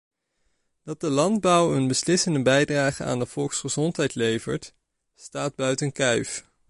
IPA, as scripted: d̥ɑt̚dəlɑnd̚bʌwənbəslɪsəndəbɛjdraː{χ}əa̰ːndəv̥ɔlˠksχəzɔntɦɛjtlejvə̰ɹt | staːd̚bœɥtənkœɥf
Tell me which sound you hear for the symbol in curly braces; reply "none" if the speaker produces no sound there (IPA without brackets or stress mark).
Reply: χ